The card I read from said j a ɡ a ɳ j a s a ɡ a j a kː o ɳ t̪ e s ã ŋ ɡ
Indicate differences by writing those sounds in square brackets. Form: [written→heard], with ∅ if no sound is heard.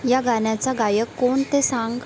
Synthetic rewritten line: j a ɡ a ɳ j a [s→t͡s] a ɡ a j [a→ə] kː o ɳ t̪ e s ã ŋ ɡ